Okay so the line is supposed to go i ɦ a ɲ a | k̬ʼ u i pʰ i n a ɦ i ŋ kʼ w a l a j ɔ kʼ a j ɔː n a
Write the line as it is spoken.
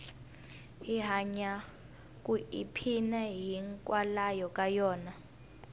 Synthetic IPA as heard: i ɦ a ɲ a | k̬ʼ u i pʰ i n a ɦ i ŋ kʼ w a l a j ɔ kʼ a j ɔː n a